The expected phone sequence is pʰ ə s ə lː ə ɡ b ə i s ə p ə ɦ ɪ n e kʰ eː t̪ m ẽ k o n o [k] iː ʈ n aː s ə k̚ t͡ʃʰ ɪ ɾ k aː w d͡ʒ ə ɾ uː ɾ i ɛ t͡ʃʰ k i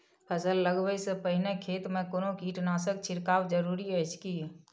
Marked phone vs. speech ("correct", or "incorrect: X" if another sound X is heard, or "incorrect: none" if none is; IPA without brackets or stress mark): correct